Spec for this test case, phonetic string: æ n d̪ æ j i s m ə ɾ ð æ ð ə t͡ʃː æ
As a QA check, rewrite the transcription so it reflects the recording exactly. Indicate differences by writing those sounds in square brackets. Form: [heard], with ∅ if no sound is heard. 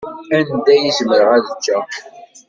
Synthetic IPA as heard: æ n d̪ æ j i [z] m ə ɾ [ʁ] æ ð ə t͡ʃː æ